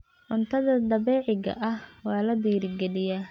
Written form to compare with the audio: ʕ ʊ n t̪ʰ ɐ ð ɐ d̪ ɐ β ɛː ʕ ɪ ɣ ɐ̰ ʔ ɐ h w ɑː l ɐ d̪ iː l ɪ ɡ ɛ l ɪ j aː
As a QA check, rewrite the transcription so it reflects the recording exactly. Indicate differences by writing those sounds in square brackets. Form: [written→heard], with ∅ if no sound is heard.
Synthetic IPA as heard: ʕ ʊ n t̪ʰ ɐ ð ɐ d̪ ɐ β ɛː ʕ ɪ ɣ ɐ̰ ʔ ɐ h w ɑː l ɐ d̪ iː [l→ɾ] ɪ ɡ ɛ l ɪ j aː